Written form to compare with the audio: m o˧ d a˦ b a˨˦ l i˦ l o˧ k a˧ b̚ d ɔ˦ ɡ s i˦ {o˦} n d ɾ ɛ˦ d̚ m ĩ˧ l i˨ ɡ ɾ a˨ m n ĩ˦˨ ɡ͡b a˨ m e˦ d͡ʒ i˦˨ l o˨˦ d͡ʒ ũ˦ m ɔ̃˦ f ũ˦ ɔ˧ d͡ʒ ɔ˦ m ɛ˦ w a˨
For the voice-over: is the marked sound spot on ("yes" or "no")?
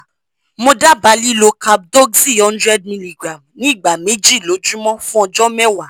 no